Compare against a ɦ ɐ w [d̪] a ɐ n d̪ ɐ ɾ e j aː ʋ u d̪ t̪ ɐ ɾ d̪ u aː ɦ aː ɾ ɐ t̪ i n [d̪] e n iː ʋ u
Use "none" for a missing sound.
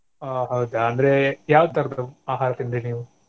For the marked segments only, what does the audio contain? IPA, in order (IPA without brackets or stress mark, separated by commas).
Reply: d̪, d̪